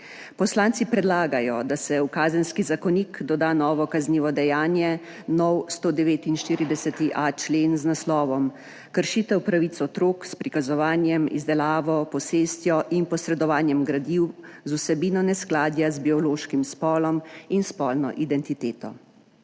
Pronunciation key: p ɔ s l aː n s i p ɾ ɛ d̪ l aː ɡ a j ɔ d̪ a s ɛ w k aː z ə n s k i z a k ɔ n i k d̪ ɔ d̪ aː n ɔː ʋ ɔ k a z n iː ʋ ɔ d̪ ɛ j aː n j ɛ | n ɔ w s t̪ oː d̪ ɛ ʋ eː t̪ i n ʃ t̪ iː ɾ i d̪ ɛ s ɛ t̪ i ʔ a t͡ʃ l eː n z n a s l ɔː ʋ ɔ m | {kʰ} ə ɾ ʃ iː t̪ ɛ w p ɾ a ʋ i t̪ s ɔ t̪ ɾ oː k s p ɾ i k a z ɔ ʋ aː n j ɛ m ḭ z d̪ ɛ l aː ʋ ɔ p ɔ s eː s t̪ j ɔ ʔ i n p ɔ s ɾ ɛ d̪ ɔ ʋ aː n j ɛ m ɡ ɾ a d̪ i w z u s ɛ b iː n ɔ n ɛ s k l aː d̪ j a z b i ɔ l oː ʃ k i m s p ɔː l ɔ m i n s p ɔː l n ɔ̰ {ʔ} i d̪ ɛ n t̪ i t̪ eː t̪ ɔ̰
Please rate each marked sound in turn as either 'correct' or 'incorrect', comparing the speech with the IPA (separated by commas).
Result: incorrect, correct